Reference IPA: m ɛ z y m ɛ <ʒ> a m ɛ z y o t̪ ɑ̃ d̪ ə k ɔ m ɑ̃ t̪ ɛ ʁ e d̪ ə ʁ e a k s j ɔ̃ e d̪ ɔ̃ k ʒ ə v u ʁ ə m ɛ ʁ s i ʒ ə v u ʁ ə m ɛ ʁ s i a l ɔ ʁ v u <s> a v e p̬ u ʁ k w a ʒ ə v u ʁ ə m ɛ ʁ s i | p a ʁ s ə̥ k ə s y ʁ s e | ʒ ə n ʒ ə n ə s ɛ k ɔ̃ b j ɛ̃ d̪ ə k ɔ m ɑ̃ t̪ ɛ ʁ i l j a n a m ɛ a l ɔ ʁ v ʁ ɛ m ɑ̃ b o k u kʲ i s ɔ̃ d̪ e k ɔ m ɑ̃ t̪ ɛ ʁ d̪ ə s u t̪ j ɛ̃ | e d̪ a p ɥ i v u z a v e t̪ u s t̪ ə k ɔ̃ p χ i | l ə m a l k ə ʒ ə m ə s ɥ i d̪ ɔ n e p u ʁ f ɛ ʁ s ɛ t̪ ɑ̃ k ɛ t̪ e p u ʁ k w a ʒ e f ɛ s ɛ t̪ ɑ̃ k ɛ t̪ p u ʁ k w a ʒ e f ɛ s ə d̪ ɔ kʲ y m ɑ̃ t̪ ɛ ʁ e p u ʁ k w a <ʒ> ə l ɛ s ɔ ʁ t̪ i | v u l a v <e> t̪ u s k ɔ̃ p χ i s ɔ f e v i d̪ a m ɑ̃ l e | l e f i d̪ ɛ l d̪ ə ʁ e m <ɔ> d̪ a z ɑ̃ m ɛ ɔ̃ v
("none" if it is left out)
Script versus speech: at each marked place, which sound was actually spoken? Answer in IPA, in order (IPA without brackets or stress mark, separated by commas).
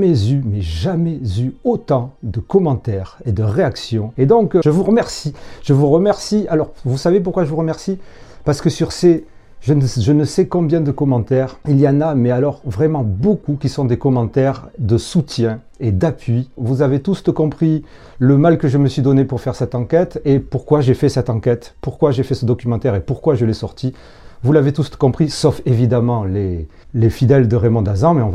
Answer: ʒ, s, ʒ, e, ɔ̃